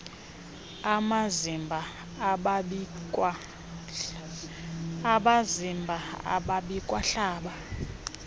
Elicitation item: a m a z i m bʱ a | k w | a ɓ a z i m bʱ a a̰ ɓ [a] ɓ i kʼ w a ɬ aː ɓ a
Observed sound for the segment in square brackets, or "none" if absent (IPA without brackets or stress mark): a